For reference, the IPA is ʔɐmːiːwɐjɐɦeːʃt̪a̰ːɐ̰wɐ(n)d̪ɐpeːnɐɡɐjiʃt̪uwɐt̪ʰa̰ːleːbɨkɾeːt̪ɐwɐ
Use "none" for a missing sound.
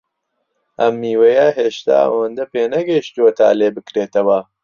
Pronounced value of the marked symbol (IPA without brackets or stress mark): n